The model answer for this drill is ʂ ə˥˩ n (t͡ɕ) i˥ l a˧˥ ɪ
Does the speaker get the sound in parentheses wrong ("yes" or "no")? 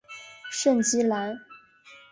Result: no